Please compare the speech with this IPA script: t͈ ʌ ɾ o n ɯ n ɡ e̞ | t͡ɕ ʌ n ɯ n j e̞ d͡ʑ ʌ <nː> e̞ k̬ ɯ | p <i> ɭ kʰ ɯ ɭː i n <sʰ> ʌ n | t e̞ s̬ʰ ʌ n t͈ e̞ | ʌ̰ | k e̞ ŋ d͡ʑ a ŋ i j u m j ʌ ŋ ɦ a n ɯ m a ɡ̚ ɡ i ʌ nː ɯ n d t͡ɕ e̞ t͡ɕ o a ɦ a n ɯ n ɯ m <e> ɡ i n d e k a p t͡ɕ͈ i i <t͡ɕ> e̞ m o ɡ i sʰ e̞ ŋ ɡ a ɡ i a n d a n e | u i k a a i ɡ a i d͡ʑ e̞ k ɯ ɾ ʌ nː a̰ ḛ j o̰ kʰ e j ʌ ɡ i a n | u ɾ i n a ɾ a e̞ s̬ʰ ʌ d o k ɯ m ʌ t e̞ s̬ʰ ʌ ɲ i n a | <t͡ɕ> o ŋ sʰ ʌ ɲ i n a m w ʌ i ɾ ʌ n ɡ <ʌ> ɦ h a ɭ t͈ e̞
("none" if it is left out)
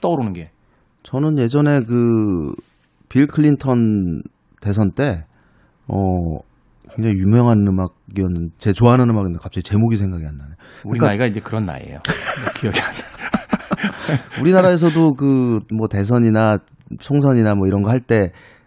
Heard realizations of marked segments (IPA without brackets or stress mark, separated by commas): n, i, tʰ, a, t͡ɕ, t͡ɕʰ, ʌ